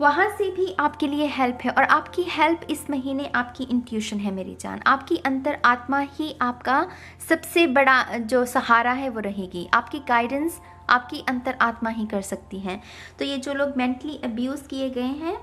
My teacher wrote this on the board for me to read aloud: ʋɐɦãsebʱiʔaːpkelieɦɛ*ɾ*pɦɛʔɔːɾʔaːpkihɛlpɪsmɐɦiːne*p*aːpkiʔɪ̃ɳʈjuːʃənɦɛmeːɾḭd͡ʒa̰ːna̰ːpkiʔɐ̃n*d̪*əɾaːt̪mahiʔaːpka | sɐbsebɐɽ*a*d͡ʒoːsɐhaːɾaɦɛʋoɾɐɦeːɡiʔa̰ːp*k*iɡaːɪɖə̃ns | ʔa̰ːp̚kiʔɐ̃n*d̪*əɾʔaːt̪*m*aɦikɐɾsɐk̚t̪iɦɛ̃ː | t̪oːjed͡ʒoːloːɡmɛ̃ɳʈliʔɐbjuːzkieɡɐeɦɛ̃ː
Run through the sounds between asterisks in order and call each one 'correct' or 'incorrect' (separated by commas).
incorrect, incorrect, incorrect, correct, correct, incorrect, correct